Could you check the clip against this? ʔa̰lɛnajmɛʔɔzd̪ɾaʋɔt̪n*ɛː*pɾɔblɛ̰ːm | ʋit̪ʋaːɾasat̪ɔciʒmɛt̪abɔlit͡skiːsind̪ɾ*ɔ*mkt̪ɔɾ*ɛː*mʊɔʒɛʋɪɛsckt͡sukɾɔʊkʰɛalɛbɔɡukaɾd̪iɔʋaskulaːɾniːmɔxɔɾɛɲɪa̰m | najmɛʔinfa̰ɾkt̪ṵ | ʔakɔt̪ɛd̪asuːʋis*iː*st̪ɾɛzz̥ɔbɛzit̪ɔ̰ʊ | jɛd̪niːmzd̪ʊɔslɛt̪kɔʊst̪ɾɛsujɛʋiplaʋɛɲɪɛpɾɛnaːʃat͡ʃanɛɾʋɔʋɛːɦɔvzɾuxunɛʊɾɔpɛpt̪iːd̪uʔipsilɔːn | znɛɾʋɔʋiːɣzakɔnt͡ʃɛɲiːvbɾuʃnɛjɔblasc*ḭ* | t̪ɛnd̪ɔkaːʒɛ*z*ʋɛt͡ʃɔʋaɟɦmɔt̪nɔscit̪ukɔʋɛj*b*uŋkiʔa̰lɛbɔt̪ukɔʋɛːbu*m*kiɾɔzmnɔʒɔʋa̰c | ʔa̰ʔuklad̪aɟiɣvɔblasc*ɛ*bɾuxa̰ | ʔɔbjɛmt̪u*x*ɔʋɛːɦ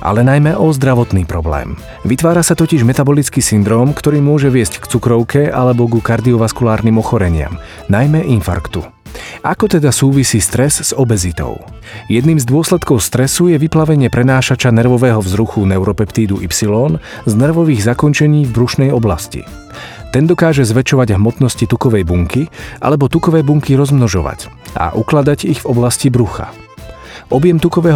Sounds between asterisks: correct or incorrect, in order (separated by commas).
incorrect, incorrect, incorrect, correct, correct, correct, correct, incorrect, incorrect, incorrect